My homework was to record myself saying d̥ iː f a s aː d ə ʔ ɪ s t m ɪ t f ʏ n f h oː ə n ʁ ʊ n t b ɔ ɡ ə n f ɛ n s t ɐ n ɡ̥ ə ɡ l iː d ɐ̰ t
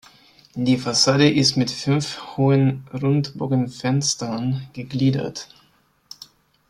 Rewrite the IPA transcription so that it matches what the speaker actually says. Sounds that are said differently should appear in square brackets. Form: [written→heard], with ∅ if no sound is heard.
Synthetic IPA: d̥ iː f a s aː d ə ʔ ɪ s t m ɪ t f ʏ n f h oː ə n ʁ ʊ n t b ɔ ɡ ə n f ɛ n s t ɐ n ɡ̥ ə ɡ l iː d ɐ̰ t

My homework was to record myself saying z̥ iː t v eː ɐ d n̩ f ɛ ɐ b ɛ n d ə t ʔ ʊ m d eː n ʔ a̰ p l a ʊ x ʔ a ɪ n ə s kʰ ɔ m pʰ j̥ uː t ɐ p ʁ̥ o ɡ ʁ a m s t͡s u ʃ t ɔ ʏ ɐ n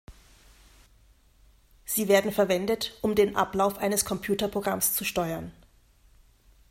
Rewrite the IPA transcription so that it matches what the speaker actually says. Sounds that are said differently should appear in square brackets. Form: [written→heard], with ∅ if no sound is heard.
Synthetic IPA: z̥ iː [t→∅] v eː ɐ d n̩ f ɛ ɐ [b→v] ɛ n d ə t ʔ ʊ m d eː n ʔ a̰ p l a ʊ [x→f] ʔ a ɪ n ə s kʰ ɔ m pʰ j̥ uː t ɐ p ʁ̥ o ɡ ʁ a m s t͡s u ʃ t ɔ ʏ ɐ n

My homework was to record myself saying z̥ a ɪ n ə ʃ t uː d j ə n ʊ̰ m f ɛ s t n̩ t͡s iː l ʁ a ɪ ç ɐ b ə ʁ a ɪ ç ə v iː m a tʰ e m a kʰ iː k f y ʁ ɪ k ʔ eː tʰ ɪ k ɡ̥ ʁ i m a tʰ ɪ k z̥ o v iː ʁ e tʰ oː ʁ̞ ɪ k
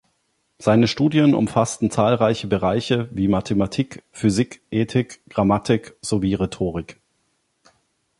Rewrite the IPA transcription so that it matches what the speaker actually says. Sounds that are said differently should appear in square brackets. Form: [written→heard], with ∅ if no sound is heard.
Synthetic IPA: z̥ a ɪ n ə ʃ t uː d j ə n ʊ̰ m f [ɛ→a] s t n̩ t͡s [iː→aː] l ʁ a ɪ ç [ɐ→ə] b ə ʁ a ɪ ç ə v iː m a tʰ e m a [kʰ→tʰ] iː k f y [ʁ→z] ɪ k ʔ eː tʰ ɪ k ɡ̥ ʁ [i→a] m a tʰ ɪ k z̥ o v iː ʁ e tʰ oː ʁ̞ ɪ k

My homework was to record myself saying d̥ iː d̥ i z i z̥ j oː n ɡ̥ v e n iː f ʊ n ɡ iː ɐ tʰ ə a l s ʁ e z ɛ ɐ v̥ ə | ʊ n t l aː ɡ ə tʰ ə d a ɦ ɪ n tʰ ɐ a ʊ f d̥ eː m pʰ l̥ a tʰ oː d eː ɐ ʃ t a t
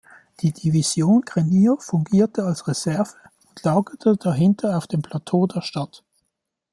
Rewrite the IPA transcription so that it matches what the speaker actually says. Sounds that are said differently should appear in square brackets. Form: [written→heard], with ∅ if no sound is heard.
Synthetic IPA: d̥ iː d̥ i [z→v] i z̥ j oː n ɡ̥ [v→ʁ] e n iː f ʊ [n→ŋ] ɡ iː ɐ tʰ ə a l s ʁ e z ɛ ɐ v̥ ə | ʊ n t l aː ɡ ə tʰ ə d a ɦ ɪ n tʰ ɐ a ʊ f d̥ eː m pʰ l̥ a tʰ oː d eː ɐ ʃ t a t

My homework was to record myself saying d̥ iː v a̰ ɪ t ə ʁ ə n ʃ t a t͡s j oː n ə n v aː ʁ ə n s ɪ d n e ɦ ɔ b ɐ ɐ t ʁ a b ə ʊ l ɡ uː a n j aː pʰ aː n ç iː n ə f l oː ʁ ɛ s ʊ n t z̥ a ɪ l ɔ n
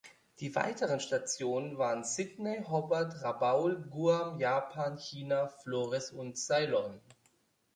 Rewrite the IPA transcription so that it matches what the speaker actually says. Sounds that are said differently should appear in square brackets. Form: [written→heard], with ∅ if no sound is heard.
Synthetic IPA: d̥ iː v a̰ ɪ t ə ʁ ə n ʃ t a t͡s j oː n ə n v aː ʁ ə n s ɪ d n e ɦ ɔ b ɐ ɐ t ʁ a b [ə→a] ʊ l ɡ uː a [n→m] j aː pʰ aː n ç iː n [ə→a] f l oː ʁ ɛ s ʊ n t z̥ a ɪ l ɔ n

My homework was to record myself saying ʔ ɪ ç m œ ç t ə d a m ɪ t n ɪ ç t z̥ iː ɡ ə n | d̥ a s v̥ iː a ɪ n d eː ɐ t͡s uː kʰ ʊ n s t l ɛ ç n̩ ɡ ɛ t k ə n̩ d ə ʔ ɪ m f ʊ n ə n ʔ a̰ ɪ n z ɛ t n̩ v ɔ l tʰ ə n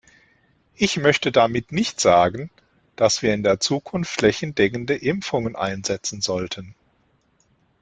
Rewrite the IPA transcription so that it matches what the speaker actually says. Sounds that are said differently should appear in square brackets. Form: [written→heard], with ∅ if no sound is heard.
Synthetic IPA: ʔ ɪ ç m œ ç t ə d a m ɪ t n ɪ ç t z̥ [iː→aː] ɡ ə n | d̥ a s v̥ iː [a→ɐ] ɪ n d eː ɐ t͡s uː kʰ ʊ n [s→f] t l ɛ ç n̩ [ɡ→d] ɛ [t→∅] k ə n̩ d ə ʔ ɪ m f ʊ [n→ŋ] ə n ʔ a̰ ɪ n z ɛ [t→t͡s] n̩ [v→z] ɔ l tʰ ə n

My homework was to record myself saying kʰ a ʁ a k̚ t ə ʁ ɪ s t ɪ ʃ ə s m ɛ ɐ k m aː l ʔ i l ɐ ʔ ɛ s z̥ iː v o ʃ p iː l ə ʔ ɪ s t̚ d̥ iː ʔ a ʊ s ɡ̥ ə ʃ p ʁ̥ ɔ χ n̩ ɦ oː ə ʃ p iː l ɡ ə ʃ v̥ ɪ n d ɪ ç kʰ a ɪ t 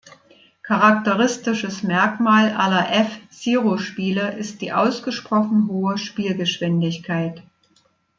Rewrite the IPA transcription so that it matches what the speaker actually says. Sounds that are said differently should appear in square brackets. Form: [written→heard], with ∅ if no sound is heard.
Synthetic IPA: kʰ a ʁ a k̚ t ə ʁ ɪ s t ɪ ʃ ə s m ɛ ɐ k m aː l ʔ [i→a] l ɐ ʔ ɛ [s→f] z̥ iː [v→ʁ] o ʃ p iː l ə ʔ ɪ s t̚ d̥ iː ʔ a ʊ s ɡ̥ ə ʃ p ʁ̥ ɔ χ n̩ ɦ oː ə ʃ p iː l ɡ ə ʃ v̥ ɪ n d ɪ ç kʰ a ɪ t

